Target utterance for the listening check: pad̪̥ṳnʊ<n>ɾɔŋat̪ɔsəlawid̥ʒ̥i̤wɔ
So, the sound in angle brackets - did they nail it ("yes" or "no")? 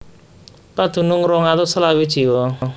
no